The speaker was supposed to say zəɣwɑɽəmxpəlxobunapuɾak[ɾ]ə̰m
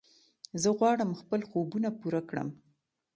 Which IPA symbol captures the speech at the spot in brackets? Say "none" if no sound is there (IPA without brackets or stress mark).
ɽ